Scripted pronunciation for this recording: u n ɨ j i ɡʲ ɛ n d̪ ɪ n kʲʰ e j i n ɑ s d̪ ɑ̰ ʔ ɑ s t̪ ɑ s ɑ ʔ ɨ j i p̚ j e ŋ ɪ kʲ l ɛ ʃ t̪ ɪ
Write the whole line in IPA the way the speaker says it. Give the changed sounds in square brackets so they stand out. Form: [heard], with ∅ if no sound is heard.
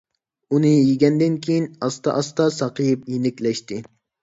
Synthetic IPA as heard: u n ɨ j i ɡʲ ɛ n d̪ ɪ n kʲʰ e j i n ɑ s [t̪] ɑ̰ ʔ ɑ s t̪ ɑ s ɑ [q] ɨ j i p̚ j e [n] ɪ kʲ l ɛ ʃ t̪ ɪ